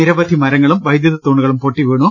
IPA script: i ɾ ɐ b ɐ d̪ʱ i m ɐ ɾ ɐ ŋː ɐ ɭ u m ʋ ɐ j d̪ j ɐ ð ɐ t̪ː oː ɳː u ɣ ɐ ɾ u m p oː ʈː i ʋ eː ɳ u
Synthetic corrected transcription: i ɾ ɐ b ɐ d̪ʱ i m ɐ ɾ ɐ ŋː ɐ ɭ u m ʋ ɐ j d̪ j ɐ ð ɐ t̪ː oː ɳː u ɣ ɐ ɭ u m p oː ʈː i ʋ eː ɳ u

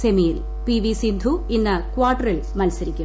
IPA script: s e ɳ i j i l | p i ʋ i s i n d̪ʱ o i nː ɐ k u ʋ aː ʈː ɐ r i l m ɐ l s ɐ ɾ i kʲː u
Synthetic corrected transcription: s e m i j i l | p i ʋ i s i n d̪ʱ u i nː ɐ k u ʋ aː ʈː ɐ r i l m ɐ l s ɐ ɾ i kʲː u

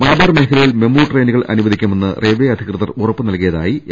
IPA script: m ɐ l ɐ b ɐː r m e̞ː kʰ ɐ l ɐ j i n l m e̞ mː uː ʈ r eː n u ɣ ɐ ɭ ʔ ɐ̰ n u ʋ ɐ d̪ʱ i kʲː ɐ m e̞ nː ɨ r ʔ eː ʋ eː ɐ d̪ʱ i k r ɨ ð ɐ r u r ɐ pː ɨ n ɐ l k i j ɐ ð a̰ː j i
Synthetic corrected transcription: m ɐ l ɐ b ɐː r m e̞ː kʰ ɐ l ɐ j i l m e̞ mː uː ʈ r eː n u ɣ ɐ ɭ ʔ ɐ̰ n u ʋ ɐ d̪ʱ i kʲː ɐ m e̞ nː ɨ r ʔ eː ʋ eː ɐ d̪ʱ i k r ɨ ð ɐ r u r ɐ pː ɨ n ɐ l k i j ɐ ð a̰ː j i

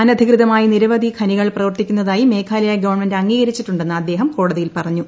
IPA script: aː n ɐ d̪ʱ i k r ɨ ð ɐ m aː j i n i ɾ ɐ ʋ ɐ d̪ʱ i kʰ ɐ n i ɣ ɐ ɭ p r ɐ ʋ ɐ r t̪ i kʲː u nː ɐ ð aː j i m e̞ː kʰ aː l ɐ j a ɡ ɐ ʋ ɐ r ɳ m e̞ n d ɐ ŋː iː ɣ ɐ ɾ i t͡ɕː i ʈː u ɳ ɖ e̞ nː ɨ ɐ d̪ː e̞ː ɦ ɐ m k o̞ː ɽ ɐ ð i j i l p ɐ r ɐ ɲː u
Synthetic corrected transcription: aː n ɐ d̪ʱ i k r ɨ ð ɐ m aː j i n i ɾ ɐ ʋ ɐ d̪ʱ i kʰ ɐ n i ɣ ɐ ɭ p r ɐ ʋ ɐ r t̪ i kʲː u nː ɐ ð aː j i m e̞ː kʰ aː l ɐ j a ɡ ɐ ʋ ɐ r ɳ m e̞ n d ɐ ŋː iː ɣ ɐ ɾ i t͡ɕː i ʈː u ɳ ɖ e̞ nː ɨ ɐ d̪ː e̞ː ɦ ɐ m k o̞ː ɽ ɐ ð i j i l p ɐ r ɐ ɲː u

